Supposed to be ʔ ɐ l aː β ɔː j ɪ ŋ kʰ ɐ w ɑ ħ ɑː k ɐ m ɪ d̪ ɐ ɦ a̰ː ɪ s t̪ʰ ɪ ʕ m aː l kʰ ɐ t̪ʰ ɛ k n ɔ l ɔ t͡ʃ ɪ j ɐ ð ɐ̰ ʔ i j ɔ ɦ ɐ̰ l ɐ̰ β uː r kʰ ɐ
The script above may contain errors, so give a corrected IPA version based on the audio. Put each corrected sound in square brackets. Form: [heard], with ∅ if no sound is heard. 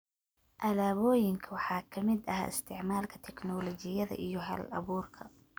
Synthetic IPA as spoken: ʔ ɐ l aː β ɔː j ɪ ŋ kʰ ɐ w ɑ ħ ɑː [kʰ] ɐ m ɪ d̪ ɐ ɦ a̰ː ɪ s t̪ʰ ɪ ʕ m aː l kʰ ɐ t̪ʰ ɛ k n ɔ l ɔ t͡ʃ ɪ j ɐ ð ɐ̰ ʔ i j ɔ ɦ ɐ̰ l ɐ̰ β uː r kʰ ɐ